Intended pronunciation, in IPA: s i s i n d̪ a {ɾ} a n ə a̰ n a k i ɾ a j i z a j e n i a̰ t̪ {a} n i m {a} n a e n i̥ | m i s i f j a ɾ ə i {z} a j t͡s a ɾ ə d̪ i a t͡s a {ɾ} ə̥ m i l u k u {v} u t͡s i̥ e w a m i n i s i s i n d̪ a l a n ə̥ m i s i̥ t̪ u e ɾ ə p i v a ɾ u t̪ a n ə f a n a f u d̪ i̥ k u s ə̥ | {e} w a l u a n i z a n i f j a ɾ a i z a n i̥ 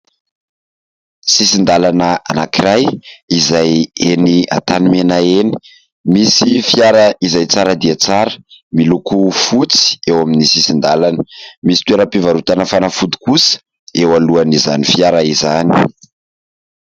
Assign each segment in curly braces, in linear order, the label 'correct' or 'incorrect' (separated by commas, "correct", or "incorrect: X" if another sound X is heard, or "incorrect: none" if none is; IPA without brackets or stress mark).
incorrect: l, correct, incorrect: e, correct, correct, incorrect: f, correct